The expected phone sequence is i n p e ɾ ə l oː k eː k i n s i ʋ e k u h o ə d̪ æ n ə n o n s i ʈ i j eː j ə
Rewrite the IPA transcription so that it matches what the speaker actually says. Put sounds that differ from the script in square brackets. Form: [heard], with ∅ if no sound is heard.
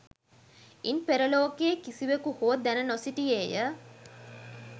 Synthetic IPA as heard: i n p e ɾ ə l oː k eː k i [∅] s i ʋ e k u h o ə d̪ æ n ə n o [∅] s i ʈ i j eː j ə